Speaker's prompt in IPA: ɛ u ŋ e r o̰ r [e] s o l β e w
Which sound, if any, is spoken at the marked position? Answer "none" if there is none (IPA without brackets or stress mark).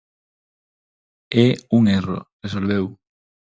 e